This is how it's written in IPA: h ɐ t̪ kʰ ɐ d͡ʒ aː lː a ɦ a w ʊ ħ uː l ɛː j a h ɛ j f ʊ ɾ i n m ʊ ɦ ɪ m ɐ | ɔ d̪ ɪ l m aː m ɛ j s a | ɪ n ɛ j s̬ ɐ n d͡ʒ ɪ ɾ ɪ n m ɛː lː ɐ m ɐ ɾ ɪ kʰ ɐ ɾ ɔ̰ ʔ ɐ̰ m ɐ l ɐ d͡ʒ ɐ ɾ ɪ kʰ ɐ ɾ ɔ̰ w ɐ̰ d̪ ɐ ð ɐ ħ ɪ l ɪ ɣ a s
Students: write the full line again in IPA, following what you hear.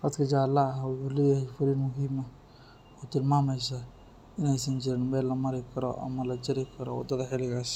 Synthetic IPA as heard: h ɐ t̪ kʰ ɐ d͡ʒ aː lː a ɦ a w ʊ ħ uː l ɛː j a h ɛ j f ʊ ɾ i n m ʊ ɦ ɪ m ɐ | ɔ t̪ ɪ l m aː m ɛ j s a | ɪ n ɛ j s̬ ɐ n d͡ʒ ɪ ɾ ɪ n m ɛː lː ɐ m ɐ ɾ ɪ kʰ ɐ ɾ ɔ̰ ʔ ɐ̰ m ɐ l ɐ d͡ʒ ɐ ɾ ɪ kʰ ɐ ɾ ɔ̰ w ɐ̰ d̪ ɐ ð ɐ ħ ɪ l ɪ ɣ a s